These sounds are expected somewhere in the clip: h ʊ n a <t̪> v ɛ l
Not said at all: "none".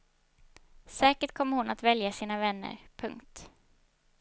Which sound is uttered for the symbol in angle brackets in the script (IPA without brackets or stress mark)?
t̪